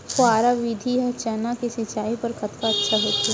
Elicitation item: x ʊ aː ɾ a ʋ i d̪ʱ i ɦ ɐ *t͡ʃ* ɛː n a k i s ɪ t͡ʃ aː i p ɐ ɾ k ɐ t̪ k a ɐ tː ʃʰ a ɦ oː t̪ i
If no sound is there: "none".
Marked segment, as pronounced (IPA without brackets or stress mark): t͡ʃ